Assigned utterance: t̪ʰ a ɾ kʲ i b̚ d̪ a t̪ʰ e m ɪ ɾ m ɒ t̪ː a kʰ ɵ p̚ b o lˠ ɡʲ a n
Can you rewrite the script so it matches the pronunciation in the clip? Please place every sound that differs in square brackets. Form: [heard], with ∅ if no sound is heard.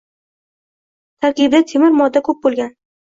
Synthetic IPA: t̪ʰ a ɾ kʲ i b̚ d̪ a t̪ʰ e m ɪ ɾ m ɒ [d̪ː] a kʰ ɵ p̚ b o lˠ ɡʲ a n